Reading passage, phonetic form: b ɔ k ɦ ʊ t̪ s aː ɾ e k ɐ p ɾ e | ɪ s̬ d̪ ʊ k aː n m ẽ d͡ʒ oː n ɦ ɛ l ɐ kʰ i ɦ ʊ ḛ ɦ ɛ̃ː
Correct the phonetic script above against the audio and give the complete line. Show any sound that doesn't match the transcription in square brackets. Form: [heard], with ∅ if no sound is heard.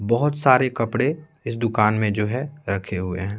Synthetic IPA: b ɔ [∅] ɦ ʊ t̪ s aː ɾ e k ɐ p [ɽ] e | ɪ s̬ d̪ ʊ k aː n m ẽ d͡ʒ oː [∅] ɦ ɛ [ɾ] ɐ kʰ [e] ɦ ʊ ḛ ɦ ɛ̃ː